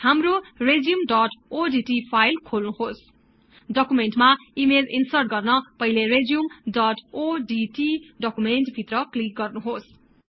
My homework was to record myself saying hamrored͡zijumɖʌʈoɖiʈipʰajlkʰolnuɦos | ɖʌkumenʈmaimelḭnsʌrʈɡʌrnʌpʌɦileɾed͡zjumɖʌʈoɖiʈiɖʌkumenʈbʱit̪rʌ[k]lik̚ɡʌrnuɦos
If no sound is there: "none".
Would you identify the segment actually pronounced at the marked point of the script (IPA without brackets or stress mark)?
k